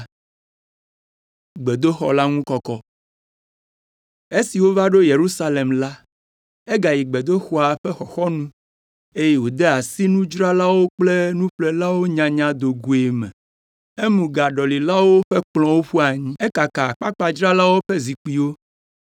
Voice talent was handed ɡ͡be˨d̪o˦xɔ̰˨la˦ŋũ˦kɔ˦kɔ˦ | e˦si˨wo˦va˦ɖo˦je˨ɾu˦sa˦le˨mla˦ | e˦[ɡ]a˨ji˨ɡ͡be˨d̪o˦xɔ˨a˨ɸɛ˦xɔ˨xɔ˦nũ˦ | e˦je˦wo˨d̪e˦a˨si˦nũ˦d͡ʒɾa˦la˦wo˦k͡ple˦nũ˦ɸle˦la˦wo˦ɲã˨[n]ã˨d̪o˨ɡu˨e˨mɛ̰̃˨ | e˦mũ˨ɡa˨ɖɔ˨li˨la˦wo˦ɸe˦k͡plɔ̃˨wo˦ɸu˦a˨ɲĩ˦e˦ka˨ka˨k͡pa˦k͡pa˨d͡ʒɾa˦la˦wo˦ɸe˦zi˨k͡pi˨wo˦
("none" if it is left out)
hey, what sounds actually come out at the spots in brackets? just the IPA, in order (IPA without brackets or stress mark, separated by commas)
ɡ, ɲ